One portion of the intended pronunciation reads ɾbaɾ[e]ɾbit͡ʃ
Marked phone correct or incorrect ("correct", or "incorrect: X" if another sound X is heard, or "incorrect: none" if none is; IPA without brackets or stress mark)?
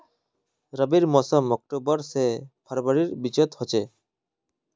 incorrect: i